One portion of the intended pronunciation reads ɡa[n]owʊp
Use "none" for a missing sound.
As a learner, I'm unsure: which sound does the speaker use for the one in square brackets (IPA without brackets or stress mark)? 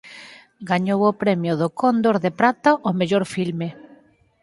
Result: ɲ